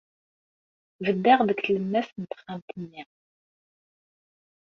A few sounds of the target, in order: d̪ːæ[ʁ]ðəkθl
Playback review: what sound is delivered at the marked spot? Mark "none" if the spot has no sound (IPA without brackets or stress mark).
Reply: ʁ